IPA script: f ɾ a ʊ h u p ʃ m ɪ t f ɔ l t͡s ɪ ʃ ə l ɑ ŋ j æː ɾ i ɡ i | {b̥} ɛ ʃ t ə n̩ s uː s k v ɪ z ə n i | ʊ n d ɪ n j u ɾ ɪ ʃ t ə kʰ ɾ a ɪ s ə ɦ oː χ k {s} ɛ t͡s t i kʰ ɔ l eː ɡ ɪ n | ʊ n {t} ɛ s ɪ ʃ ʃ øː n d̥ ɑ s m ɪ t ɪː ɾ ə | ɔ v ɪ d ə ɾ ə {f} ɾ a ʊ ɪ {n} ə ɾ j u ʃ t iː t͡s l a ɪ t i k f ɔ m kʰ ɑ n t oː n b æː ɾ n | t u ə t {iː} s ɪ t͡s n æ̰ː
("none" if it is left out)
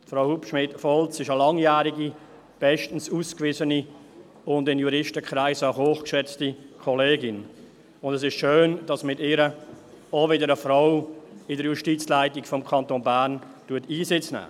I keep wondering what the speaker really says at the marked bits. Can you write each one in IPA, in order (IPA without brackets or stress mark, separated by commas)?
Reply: b̥, ʃ, d, f, d, iː